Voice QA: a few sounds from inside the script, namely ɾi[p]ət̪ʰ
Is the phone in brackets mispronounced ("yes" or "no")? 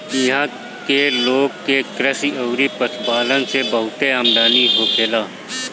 no